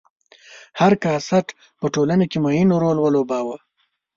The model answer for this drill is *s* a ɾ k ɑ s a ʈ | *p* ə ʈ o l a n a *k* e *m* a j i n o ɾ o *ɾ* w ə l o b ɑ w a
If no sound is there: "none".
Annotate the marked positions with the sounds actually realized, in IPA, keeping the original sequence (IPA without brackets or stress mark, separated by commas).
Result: h, p, k, m, l